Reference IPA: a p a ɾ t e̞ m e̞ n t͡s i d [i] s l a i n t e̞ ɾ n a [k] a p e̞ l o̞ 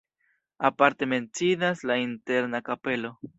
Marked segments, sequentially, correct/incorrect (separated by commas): incorrect, correct